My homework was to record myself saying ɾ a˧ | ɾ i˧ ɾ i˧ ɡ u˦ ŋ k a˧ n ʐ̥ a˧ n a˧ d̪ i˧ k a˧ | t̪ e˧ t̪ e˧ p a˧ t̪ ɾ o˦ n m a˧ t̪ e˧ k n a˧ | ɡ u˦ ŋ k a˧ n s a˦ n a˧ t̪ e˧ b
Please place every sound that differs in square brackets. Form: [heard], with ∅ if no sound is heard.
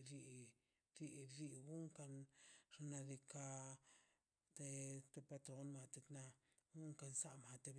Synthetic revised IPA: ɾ [i˧] | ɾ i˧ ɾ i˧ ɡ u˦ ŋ k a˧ n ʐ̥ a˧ n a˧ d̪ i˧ k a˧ | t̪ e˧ t̪ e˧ p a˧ t̪ ɾ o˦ n m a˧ t̪ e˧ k n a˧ | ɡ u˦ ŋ k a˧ n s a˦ [m] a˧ t̪ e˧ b